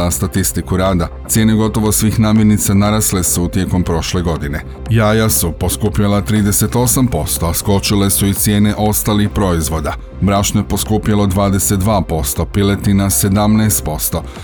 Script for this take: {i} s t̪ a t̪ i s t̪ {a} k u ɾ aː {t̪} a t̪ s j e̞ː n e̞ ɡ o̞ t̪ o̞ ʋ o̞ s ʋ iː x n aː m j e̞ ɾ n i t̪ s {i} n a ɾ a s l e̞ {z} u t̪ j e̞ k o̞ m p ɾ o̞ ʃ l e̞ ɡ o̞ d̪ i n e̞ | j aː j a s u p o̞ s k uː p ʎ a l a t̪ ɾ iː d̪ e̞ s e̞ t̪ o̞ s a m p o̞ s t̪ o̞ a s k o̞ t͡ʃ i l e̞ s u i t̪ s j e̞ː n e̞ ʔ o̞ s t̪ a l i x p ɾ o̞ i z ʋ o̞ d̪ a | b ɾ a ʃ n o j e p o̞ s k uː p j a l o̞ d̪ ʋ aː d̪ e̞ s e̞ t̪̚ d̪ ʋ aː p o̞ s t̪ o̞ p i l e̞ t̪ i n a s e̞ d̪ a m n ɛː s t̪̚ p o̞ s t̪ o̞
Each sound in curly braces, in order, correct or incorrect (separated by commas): incorrect, incorrect, incorrect, incorrect, incorrect